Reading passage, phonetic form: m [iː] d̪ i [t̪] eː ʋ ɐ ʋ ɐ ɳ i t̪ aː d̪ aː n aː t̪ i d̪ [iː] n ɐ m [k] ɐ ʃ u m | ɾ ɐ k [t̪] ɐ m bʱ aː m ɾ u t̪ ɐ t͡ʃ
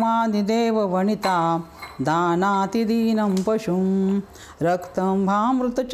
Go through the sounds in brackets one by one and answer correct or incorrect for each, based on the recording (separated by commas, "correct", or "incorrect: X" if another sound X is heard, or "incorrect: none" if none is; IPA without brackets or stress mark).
incorrect: aː, incorrect: d̪, correct, incorrect: p, correct